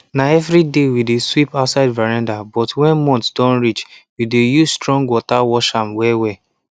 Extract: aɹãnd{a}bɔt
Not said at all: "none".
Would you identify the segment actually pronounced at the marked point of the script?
a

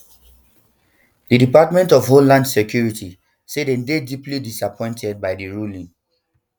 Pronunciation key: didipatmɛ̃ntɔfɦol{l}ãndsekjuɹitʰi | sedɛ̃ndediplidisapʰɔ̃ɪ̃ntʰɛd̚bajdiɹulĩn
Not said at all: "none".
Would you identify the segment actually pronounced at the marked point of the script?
l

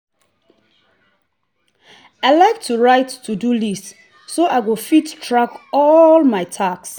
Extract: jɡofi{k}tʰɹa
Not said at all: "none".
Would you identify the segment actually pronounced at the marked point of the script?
t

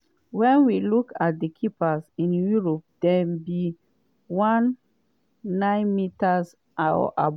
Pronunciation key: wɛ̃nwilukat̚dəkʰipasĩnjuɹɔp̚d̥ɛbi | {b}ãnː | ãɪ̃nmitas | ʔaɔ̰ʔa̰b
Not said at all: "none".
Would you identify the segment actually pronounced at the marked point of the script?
w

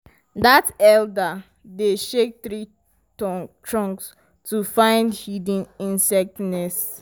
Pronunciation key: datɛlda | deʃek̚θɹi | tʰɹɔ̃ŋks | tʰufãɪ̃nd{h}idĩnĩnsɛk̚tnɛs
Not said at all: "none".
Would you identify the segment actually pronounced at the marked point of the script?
h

